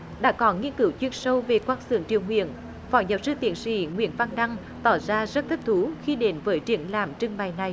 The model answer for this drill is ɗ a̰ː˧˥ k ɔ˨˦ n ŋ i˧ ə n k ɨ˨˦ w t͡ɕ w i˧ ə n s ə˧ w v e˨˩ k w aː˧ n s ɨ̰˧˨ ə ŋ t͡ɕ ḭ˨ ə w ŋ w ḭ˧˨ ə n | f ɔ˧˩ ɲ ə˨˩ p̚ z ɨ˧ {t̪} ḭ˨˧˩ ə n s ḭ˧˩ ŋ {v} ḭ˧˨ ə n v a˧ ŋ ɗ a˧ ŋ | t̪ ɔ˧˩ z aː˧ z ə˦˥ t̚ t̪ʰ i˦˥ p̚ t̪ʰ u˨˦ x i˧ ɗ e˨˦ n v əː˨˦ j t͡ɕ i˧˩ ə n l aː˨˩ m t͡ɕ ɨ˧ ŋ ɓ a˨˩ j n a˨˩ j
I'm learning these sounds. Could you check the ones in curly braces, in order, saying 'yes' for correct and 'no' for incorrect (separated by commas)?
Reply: yes, no